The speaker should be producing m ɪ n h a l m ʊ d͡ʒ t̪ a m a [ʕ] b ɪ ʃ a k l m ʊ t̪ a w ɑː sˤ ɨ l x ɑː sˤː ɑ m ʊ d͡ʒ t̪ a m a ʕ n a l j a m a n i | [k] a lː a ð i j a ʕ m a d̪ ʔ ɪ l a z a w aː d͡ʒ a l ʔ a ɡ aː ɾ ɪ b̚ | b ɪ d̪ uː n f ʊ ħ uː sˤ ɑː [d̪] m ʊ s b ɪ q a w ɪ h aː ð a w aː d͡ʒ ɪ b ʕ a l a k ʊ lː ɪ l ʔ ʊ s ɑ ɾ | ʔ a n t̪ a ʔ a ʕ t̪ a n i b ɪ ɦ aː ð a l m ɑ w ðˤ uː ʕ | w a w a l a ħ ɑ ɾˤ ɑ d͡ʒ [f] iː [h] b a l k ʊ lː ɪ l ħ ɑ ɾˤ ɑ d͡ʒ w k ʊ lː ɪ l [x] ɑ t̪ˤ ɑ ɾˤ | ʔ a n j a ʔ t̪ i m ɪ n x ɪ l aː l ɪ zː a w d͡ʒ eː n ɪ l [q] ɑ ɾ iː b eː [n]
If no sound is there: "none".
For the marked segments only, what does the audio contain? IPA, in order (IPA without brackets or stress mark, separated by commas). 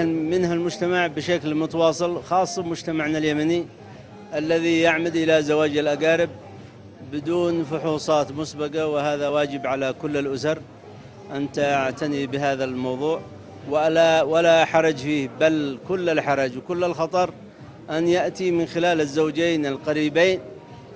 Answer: ʕ, ʔ, t̪, f, h, x, q, n